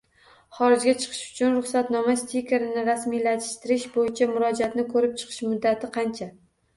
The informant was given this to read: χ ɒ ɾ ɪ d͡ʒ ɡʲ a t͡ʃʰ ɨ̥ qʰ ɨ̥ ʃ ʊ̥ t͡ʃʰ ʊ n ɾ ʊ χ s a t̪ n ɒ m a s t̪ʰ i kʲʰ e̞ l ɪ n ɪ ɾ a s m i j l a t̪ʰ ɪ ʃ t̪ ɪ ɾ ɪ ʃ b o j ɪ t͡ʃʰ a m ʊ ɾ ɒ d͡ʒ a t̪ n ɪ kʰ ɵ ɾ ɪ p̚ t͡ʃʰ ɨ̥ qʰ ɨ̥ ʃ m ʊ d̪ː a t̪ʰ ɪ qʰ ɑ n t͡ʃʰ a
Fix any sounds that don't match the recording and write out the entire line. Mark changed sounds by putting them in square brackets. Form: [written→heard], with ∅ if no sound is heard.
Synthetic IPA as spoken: χ ɒ ɾ ɪ d͡ʒ ɡʲ a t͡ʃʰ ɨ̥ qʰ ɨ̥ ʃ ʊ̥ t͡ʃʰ ʊ n ɾ ʊ χ s a t̪ n ɒ m a s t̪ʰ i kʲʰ e̞ [l→ɾ] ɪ n ɪ ɾ a s m i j l a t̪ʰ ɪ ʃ t̪ ɪ ɾ ɪ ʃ b o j ɪ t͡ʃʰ a m ʊ ɾ ɒ d͡ʒ a t̪ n ɪ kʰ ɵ ɾ ɪ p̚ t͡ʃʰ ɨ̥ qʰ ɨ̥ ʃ m ʊ d̪ː a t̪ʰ ɪ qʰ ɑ n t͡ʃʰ a